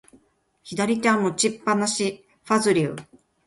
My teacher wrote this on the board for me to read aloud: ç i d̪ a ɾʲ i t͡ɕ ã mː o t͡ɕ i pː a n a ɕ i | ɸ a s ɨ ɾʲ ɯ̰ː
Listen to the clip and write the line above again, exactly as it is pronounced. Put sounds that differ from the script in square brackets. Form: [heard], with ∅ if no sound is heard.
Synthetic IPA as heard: ç i d̪ a ɾʲ i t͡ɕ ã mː o t͡ɕ i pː a n a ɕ i | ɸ a [z] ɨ ɾʲ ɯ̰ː

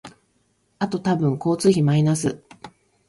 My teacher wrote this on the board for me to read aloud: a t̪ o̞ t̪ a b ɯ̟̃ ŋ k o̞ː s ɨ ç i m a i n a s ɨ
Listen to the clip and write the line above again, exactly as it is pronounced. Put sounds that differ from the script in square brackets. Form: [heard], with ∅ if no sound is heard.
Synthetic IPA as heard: a t̪ o̞ t̪ a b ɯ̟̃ ŋ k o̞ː [t͡s] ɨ ç i m a i n a s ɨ

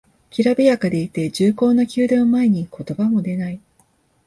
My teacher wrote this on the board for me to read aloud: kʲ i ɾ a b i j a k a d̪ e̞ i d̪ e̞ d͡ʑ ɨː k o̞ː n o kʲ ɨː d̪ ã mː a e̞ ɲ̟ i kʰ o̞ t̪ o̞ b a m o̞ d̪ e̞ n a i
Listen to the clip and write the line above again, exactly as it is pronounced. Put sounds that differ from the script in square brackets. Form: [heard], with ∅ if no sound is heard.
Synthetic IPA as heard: kʲ i ɾ a b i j a k a d̪ e̞ i [t̪] e̞ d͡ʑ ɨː k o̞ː n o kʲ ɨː d̪ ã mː a e̞ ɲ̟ i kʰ o̞ t̪ o̞ b a m o̞ d̪ e̞ n a i

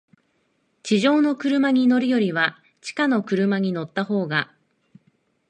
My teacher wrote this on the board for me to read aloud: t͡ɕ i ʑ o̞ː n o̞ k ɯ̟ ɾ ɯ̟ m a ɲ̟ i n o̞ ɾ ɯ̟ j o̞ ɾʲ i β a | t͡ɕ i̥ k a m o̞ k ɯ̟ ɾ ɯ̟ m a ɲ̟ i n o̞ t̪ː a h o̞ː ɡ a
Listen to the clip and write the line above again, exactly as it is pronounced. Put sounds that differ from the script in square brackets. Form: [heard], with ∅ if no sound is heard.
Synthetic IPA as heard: t͡ɕ i ʑ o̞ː n o̞ k ɯ̟ ɾ ɯ̟ m a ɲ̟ i n o̞ ɾ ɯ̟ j o̞ ɾʲ i β a | t͡ɕ i̥ k a [n] o̞ k ɯ̟ ɾ ɯ̟ m a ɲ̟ i n o̞ t̪ː a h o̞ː ɡ a

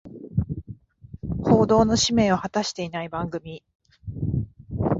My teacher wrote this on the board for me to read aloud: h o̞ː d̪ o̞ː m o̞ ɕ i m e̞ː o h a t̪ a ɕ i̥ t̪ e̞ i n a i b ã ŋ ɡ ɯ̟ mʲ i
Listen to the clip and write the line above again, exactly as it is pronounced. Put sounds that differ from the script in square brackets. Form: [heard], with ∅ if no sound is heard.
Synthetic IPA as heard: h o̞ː d̪ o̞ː [n] o̞ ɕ i m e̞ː o h a t̪ a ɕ i̥ t̪ e̞ i n a i b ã ŋ ɡ ɯ̟ mʲ i

